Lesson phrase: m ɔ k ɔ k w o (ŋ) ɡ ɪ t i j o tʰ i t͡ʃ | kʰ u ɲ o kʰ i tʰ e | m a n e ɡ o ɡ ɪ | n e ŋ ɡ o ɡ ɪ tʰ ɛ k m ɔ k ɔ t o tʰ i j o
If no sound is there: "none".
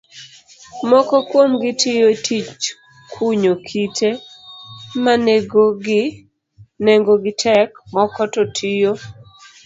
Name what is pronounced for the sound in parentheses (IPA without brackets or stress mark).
m